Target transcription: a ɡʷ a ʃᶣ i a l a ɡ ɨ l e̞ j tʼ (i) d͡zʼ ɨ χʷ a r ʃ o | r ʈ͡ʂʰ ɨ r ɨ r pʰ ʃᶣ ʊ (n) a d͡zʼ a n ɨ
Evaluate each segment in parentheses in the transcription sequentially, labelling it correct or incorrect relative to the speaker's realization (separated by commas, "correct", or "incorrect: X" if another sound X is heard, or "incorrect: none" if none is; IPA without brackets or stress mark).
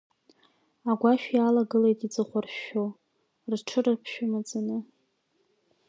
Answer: correct, incorrect: m